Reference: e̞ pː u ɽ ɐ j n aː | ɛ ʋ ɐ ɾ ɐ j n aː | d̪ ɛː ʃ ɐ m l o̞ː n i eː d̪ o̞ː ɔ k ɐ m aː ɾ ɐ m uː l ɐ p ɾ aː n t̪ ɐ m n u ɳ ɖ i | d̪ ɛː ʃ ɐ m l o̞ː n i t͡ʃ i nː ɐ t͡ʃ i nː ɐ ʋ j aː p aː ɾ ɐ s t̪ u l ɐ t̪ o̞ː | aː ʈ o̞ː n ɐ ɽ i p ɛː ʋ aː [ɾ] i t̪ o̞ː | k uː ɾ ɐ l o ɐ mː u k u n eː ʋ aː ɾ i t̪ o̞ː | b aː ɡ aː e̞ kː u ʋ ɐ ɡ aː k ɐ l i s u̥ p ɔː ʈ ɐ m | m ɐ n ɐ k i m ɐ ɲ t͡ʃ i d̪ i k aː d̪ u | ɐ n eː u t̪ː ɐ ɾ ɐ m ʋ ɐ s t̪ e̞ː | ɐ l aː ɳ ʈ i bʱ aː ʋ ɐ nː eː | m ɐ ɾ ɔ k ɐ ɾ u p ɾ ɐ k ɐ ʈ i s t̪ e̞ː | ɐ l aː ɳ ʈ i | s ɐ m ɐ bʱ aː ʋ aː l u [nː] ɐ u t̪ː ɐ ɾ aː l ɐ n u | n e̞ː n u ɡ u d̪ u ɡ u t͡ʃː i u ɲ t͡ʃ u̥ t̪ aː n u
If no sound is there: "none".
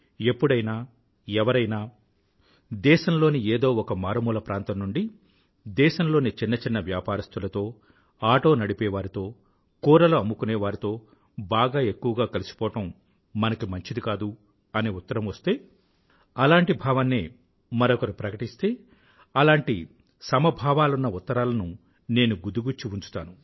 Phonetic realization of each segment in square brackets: ɾ, nː

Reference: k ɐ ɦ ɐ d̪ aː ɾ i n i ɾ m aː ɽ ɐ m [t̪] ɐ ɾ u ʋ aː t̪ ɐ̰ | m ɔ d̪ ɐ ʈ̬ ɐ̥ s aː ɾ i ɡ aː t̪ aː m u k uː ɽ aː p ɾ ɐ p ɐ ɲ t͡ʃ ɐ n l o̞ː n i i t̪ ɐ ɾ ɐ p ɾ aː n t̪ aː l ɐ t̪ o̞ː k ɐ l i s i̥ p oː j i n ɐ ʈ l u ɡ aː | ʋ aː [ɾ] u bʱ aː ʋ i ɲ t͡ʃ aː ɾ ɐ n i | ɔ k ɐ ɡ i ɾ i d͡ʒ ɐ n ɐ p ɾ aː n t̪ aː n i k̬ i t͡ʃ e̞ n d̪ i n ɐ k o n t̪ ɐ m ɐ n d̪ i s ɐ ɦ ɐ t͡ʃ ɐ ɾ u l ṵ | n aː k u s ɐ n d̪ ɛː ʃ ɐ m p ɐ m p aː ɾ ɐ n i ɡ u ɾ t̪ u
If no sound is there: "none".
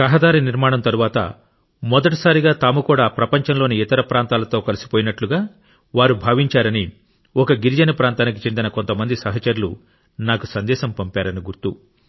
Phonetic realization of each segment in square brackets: t̪, ɾ

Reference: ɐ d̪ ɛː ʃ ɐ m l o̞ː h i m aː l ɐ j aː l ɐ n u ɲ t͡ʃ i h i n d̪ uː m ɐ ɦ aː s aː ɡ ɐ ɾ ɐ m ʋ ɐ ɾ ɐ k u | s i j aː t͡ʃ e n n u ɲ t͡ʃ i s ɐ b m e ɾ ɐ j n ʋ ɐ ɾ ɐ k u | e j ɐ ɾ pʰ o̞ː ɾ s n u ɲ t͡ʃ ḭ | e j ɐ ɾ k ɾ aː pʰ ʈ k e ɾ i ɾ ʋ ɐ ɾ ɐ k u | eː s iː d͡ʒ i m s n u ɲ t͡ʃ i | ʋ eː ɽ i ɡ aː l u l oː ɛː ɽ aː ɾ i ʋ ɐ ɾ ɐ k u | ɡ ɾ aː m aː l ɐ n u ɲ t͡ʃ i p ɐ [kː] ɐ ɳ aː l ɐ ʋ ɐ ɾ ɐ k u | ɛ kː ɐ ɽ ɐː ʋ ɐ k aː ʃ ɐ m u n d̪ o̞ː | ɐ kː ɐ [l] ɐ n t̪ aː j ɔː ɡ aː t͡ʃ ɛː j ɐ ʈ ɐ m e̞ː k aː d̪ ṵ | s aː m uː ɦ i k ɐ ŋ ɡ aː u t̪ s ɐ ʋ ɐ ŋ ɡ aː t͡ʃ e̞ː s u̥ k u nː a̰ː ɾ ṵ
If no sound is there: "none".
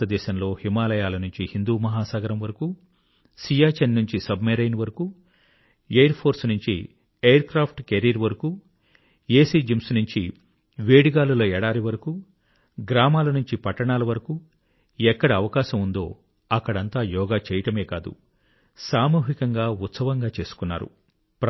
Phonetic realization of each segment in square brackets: ʈː, ɽ

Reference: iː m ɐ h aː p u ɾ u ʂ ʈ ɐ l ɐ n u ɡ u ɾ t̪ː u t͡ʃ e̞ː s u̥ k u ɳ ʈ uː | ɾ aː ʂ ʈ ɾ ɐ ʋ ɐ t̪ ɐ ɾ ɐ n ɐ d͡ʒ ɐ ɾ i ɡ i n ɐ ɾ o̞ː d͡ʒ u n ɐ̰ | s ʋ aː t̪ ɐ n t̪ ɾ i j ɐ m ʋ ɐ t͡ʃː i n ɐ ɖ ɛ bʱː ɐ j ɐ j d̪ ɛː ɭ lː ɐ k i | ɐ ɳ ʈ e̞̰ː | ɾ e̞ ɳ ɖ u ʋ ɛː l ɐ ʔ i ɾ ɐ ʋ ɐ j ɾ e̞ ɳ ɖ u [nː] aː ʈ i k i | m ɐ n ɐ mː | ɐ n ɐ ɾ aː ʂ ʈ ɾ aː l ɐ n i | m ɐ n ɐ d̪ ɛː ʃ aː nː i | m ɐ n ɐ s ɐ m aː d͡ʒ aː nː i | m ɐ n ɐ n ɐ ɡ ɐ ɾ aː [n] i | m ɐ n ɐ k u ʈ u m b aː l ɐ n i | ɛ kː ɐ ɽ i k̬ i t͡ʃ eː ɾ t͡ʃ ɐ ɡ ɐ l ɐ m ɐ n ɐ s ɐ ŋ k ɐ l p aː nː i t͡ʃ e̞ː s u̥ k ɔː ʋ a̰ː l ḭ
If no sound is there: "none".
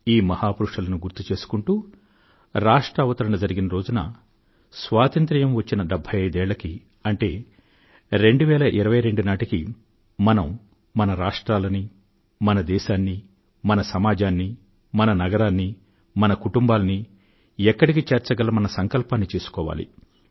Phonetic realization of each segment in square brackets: n, nː

